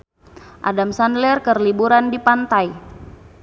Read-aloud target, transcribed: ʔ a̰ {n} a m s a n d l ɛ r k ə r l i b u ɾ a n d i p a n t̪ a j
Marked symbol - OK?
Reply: no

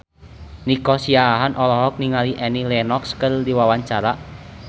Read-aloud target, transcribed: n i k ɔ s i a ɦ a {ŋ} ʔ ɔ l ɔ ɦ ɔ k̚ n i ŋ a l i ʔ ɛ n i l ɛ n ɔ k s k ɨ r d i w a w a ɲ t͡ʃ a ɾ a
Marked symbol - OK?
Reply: no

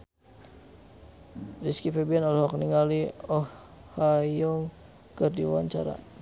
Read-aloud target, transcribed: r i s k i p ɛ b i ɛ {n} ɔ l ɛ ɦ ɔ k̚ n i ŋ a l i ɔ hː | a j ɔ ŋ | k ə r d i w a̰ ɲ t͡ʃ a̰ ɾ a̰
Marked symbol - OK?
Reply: yes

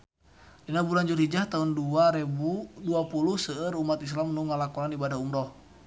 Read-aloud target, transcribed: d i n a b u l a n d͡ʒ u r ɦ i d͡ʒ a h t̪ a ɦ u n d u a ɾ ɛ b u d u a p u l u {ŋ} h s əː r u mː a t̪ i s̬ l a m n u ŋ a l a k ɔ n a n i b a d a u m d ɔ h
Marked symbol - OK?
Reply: no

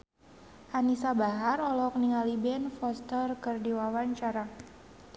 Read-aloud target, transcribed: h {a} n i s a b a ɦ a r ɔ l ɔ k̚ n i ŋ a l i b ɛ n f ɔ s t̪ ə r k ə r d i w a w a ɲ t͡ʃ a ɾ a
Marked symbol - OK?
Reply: yes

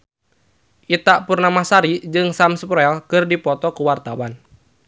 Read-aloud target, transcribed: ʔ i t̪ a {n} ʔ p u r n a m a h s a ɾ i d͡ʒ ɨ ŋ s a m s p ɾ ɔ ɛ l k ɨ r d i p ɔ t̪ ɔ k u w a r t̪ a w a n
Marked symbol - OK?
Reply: no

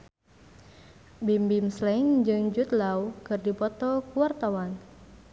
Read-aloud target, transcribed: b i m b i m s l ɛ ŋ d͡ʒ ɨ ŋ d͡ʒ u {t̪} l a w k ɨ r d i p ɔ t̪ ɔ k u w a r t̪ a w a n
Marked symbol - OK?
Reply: yes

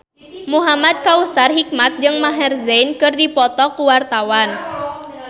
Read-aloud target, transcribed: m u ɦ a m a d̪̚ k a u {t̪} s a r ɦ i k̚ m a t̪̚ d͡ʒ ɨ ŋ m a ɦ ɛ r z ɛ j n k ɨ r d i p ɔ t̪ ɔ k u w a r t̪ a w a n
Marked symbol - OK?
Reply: no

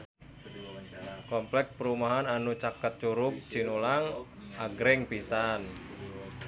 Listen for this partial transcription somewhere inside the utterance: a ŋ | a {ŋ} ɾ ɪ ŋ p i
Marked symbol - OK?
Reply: no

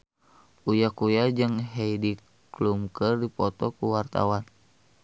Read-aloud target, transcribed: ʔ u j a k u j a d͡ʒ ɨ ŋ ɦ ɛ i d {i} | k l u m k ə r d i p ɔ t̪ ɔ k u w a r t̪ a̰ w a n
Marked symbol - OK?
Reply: yes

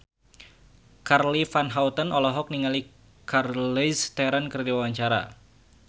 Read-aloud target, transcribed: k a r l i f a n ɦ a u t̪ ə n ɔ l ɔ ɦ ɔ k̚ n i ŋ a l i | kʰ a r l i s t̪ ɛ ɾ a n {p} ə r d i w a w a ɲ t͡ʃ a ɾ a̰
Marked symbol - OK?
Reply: no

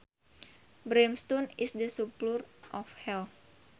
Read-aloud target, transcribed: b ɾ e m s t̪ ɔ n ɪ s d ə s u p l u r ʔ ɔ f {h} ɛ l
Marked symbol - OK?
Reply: yes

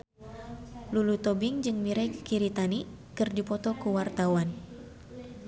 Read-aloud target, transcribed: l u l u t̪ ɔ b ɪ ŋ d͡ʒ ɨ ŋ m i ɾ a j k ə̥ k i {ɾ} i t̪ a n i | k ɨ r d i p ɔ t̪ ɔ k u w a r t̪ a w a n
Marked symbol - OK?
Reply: yes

